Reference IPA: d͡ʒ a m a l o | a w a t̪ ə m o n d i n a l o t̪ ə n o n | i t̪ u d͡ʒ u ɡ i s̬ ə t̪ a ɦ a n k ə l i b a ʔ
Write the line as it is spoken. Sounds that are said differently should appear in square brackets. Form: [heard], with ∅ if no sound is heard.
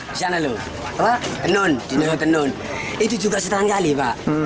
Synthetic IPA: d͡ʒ a [n] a l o | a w a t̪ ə [n] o n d i n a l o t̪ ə n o n | i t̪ u d͡ʒ u ɡ [a] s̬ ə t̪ a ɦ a n k [a] l i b a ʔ